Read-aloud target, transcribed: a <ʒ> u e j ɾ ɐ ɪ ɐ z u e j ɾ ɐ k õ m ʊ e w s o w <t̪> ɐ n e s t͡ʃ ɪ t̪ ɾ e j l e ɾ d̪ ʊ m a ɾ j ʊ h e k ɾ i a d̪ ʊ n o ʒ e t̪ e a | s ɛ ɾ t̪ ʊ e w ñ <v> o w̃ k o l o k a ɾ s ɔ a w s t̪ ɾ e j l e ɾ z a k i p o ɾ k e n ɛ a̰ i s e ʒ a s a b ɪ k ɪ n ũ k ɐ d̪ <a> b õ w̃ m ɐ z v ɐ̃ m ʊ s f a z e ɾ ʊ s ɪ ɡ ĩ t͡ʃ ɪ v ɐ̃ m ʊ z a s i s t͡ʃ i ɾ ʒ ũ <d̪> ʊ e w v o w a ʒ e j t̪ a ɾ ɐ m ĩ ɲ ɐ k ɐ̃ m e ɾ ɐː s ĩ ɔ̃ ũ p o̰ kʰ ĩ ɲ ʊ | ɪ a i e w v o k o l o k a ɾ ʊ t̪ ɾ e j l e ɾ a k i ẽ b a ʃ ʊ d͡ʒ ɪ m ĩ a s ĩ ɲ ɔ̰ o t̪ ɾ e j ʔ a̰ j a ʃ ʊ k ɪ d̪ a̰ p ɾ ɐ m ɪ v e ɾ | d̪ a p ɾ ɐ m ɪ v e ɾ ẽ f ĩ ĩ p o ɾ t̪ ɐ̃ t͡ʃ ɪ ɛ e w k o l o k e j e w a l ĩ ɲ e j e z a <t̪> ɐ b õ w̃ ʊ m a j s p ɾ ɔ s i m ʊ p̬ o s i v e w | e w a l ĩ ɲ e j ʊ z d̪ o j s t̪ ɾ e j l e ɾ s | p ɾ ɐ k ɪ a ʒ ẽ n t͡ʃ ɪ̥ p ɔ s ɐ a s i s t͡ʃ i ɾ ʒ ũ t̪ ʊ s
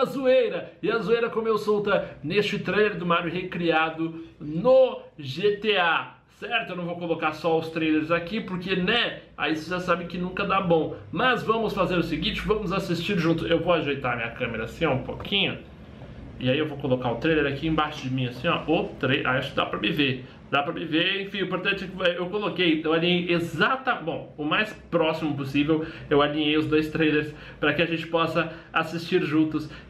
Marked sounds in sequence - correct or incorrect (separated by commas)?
incorrect, correct, correct, correct, incorrect, correct